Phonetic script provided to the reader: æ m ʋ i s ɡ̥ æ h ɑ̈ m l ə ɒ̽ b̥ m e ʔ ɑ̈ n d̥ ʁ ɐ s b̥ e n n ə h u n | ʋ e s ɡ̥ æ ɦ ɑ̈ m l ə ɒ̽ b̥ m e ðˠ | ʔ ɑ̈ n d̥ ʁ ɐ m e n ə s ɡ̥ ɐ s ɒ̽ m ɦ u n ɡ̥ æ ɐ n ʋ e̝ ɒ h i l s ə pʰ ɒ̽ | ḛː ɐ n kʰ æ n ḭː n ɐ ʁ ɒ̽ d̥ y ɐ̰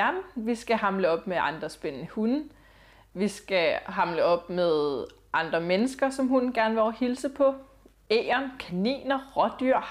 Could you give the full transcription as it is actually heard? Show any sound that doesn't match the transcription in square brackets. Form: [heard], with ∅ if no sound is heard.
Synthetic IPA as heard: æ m ʋ i s ɡ̥ æ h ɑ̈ m l ə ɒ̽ b̥ m e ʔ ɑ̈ n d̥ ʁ ɐ s b̥ e n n ə h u n | ʋ [i] s ɡ̥ æ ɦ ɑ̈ m l ə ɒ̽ b̥ m e ðˠ | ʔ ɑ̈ n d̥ ʁ ɐ m e n ə s ɡ̥ ɐ s ɒ̽ m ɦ u n ɡ̥ æ ɐ n ʋ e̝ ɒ h i l s ə pʰ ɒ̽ | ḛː ɐ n kʰ æ n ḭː n ɐ ʁ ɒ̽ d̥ y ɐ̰